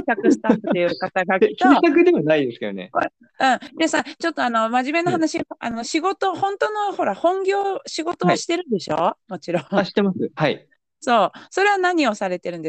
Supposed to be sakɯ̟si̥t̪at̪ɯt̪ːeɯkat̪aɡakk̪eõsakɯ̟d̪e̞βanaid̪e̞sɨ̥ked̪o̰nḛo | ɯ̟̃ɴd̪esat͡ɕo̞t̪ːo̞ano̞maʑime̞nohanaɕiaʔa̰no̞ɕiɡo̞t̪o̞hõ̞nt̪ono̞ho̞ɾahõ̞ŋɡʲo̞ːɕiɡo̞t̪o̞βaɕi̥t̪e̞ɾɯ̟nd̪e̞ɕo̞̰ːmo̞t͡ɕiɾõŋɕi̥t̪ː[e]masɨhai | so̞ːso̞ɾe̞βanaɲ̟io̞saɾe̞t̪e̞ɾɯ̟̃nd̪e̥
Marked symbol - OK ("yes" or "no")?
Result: yes